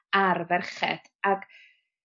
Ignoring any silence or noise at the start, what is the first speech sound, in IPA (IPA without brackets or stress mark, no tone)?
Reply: a